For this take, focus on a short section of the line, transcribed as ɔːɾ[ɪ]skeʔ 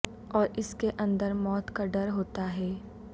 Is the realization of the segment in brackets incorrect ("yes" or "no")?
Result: no